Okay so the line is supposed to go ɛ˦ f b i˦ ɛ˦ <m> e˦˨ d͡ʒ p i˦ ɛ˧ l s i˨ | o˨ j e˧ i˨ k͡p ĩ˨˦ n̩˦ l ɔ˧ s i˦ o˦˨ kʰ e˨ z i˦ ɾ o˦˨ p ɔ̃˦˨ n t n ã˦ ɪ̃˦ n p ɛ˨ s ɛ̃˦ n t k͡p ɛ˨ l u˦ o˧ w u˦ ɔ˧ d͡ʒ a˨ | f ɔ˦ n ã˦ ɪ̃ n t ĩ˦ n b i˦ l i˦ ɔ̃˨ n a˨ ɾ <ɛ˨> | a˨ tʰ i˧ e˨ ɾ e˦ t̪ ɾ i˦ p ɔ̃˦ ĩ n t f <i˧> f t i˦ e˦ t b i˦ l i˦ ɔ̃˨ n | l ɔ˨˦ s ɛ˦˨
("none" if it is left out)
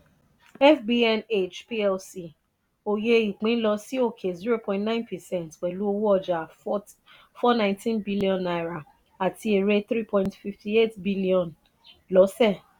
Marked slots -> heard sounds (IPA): n, a˨, i˧

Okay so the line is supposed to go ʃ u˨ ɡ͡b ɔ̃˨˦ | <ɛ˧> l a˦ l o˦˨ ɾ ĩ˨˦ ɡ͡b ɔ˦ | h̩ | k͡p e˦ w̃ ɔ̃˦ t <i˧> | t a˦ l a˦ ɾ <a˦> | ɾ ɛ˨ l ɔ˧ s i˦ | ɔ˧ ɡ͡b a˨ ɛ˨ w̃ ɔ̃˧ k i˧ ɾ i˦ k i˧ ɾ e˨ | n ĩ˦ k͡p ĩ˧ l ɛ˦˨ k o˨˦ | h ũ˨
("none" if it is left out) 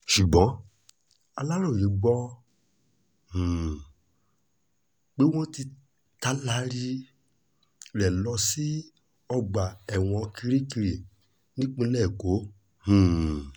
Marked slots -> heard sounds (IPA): a˧, i˧, i˦

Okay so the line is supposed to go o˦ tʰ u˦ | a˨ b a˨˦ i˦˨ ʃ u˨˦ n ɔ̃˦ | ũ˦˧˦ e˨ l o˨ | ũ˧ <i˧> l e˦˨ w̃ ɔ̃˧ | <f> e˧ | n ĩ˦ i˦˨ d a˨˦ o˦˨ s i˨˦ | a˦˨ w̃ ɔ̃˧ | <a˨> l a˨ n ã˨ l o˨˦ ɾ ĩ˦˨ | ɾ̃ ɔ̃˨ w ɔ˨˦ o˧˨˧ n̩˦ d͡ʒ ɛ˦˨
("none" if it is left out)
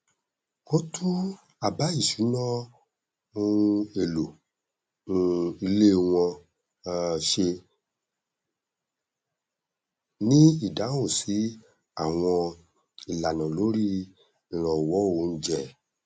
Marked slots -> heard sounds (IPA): i˧, ʃ, i˨

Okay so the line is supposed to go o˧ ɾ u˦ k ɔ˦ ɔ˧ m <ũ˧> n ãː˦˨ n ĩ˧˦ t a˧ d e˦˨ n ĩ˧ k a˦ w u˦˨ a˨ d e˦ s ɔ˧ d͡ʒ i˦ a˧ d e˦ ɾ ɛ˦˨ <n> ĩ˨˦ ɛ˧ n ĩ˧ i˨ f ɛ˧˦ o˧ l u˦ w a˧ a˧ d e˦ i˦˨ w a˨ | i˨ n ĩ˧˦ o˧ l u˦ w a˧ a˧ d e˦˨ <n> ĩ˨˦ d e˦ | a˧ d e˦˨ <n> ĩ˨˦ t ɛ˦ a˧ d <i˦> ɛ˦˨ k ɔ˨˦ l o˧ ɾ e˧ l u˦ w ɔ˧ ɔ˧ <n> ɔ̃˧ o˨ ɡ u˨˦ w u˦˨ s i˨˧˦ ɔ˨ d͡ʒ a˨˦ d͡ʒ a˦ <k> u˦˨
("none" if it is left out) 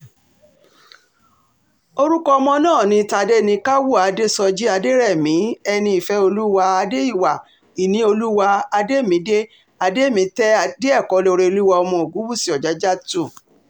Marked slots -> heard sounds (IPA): ɔ̃˧, m, m, m, e˦, m, t

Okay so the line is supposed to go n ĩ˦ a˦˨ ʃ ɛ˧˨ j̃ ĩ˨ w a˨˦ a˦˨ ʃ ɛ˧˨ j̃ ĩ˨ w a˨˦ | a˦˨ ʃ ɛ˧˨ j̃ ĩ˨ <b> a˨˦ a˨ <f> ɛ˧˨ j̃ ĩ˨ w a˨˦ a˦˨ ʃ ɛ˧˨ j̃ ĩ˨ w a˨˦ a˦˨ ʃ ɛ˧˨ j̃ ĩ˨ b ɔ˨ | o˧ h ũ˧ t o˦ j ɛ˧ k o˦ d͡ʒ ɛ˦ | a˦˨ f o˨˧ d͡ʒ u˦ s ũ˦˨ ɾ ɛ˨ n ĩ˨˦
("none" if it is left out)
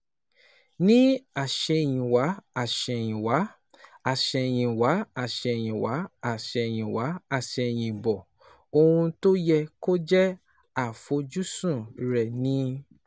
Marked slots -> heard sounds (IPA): w, ʃ

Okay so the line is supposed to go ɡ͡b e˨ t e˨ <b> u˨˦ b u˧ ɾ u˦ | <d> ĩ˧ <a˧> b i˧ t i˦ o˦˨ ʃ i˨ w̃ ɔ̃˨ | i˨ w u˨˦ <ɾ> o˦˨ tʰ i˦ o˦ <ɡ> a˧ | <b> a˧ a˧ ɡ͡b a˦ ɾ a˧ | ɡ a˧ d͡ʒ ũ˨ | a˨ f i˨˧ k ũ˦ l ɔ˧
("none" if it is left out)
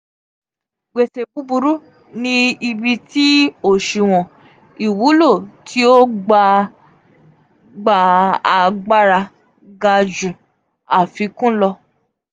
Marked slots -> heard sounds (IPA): b, n, i˧, l, ɡ͡b, ɡ͡b

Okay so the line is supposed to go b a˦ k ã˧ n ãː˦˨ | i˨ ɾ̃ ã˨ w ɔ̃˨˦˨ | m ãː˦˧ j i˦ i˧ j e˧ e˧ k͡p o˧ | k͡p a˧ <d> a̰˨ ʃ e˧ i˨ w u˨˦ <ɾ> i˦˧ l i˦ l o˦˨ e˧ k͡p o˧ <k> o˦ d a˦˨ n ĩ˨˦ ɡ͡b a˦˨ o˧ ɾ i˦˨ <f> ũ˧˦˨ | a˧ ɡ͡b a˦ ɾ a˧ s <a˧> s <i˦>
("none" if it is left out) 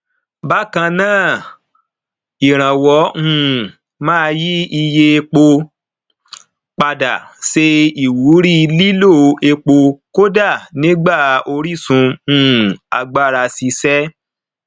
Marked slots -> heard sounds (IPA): d, ɾ, k, s, i˧, ɛ˦

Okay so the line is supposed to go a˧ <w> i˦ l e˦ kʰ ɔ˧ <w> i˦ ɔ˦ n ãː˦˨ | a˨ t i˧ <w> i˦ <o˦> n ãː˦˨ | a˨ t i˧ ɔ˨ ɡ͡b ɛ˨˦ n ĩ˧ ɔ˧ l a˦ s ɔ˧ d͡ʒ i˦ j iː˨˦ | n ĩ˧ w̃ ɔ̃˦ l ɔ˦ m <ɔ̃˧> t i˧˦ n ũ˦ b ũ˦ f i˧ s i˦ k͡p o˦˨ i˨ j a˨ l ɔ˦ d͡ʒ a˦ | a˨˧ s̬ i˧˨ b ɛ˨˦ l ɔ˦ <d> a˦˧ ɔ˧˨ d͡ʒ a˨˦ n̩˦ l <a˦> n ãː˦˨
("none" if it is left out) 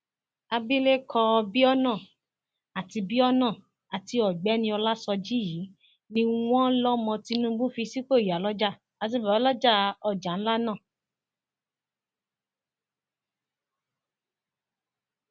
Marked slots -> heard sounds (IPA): b, b, b, ɔ˦, ɔ̃˧, d͡ʒ, a˦

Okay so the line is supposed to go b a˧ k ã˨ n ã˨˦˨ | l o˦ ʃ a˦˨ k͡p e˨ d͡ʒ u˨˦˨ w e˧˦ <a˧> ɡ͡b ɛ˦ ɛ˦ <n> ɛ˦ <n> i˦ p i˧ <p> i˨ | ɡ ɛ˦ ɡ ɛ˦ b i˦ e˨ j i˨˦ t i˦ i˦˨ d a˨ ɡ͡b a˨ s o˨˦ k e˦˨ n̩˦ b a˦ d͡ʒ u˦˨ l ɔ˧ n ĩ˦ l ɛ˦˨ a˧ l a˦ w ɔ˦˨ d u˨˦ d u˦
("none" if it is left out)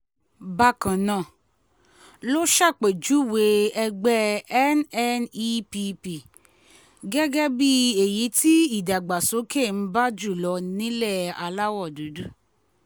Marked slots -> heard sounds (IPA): ɛ˧, n, n, p

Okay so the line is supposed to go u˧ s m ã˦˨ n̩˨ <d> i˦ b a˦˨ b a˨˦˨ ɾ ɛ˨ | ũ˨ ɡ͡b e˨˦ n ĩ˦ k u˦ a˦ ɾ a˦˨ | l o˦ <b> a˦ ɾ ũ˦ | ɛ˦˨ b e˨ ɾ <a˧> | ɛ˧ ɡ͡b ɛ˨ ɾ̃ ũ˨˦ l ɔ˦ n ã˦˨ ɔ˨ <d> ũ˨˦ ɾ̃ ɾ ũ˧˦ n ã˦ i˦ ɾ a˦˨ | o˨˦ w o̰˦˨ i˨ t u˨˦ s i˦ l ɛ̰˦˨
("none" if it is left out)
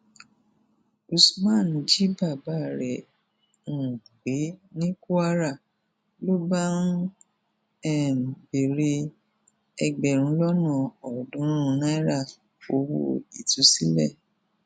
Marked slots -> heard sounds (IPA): d͡ʒ, b, e˧, d

